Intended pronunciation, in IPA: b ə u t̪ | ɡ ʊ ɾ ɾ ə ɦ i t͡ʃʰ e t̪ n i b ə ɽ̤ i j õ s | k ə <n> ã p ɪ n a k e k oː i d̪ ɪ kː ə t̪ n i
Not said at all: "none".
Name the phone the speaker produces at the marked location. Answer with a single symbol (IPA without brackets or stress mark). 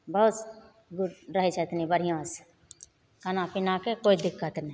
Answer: n